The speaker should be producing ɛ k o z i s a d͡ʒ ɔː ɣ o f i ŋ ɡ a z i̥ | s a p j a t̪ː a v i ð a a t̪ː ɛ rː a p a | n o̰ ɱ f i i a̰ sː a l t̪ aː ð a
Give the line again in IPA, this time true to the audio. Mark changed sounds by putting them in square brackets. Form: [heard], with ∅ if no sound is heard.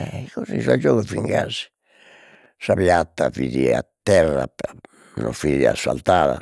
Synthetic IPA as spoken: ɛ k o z i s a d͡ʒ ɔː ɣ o f i ŋ ɡ a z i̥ | s a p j a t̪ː a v i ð [i] a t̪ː ɛ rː a p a | n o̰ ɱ f i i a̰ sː a l t̪ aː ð a